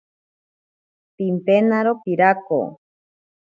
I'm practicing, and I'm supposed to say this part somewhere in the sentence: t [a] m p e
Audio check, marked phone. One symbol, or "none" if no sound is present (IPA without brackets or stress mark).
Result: i